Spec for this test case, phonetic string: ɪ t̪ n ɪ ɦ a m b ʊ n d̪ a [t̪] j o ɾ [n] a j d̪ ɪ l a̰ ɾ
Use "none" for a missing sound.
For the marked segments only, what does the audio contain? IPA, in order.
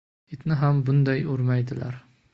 none, m

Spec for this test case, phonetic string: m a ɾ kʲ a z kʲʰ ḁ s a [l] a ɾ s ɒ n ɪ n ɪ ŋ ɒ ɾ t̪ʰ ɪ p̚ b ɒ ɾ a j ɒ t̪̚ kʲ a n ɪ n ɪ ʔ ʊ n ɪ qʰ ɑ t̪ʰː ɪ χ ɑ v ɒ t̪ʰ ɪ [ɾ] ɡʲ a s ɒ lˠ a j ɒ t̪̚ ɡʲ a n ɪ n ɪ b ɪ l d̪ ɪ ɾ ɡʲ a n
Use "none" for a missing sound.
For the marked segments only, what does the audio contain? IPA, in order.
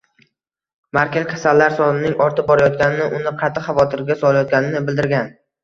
lː, ɾ

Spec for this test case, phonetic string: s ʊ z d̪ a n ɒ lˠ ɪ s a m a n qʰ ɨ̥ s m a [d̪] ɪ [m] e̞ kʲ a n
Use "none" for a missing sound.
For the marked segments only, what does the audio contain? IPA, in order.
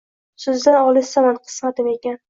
t̪, m

